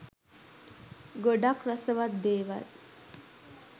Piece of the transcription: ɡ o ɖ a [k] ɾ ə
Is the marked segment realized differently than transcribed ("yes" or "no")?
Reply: no